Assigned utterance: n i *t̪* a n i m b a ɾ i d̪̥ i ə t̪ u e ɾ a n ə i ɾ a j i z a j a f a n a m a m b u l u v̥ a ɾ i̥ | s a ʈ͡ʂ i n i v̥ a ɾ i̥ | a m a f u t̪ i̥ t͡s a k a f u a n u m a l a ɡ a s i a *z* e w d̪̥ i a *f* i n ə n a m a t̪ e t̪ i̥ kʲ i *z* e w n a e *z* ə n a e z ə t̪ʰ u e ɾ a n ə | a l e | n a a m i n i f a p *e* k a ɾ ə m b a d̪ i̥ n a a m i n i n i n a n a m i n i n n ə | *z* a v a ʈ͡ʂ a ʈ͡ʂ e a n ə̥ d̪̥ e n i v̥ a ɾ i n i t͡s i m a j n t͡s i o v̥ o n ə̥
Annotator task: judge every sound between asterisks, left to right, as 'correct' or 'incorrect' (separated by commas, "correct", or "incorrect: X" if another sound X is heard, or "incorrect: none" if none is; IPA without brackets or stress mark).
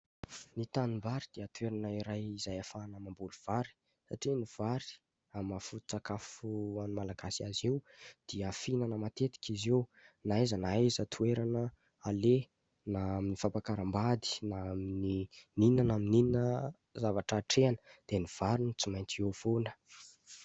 correct, correct, correct, correct, correct, incorrect: a, correct